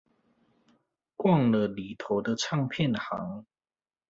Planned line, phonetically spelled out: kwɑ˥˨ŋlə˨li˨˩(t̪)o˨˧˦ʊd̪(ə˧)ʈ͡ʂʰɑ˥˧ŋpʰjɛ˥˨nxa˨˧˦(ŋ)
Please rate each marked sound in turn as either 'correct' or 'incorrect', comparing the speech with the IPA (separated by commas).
incorrect, correct, correct